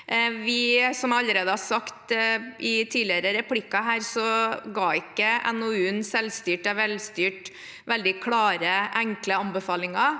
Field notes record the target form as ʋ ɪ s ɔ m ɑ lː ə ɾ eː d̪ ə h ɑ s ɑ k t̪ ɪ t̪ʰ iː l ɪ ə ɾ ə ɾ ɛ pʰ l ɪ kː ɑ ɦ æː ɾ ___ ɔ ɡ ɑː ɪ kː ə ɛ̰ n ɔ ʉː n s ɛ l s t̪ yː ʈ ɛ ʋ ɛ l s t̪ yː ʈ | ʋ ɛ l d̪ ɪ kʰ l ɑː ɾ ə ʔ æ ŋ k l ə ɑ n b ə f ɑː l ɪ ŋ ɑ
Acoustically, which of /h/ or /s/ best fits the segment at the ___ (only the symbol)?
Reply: s